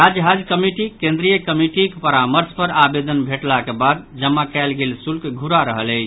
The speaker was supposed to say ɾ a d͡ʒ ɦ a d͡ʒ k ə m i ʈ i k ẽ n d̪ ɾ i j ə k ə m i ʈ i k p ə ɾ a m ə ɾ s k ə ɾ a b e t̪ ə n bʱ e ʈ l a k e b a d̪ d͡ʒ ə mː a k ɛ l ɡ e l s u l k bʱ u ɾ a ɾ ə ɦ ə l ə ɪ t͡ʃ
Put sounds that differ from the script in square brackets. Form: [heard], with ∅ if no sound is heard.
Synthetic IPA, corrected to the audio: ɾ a d͡ʒ ɦ a d͡ʒ k ə m i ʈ i k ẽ n d̪ ɾ i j ə k ə m i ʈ i k p ə ɾ a m ə ɾ s [p] ə ɾ a b e [d̪] ə n bʱ e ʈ l a k e b a d̪ d͡ʒ ə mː a k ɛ l ɡ e l s u l k [ɡʱ] u ɾ a ɾ ə ɦ ə l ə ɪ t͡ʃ